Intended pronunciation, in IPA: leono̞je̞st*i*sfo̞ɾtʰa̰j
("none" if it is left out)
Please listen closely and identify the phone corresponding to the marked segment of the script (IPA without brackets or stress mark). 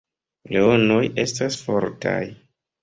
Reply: a